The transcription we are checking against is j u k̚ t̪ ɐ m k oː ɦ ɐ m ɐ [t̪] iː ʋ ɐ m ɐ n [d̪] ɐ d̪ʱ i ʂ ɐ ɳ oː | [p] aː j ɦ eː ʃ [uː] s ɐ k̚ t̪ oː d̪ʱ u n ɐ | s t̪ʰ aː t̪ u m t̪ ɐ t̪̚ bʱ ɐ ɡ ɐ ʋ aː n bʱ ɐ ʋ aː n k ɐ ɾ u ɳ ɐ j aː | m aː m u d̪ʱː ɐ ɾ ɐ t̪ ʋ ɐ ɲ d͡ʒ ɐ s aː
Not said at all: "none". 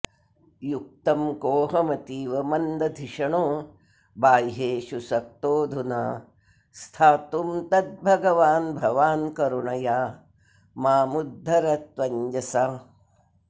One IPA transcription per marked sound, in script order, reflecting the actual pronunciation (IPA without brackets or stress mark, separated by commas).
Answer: t̪, d̪, b, u